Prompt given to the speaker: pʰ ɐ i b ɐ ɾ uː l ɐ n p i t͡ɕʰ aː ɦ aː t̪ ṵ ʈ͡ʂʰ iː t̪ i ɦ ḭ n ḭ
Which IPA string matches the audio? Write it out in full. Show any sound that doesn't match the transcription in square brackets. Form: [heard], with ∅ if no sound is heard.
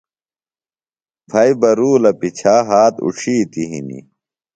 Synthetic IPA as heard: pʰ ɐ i b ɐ ɾ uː l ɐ [∅] p i t͡ɕʰ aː ɦ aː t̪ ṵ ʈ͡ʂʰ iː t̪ i ɦ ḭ n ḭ